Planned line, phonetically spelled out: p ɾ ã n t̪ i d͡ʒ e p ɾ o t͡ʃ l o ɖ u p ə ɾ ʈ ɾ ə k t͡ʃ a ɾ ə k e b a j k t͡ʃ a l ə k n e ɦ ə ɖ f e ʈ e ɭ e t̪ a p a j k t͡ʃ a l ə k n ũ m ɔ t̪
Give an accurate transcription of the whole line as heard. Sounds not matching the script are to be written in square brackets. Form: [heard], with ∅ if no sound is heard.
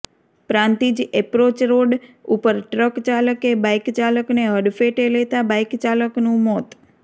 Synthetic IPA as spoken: p ɾ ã n t̪ i d͡ʒ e p ɾ o t͡ʃ [ɾ] o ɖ u p ə ɾ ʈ ɾ ə k t͡ʃ a [l] ə k e b a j k t͡ʃ a l ə k n e ɦ ə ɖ f e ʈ e [l] e t̪ a [b] a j k t͡ʃ a l ə k n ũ m ɔ t̪